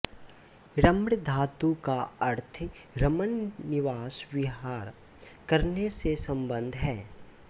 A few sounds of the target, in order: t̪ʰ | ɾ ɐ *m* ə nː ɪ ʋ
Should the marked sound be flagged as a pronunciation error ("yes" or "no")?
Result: no